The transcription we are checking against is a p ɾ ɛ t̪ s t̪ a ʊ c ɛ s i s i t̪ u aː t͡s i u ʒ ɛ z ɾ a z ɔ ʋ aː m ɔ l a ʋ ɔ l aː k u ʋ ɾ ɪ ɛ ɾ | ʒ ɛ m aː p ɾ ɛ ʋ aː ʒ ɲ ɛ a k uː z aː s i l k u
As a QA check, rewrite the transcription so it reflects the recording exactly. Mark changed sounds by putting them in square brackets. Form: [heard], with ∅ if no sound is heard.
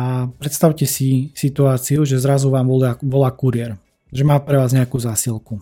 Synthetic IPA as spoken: a p ɾ ɛ t̪ s t̪ a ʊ c ɛ s i s i t̪ u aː t͡s i u ʒ ɛ z ɾ a z [u] ʋ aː m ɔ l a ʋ ɔ l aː k u [∅] ɾ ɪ ɛ ɾ | ʒ ɛ m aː p ɾ ɛ ʋ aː [z] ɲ ɛ a k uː z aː s i l k u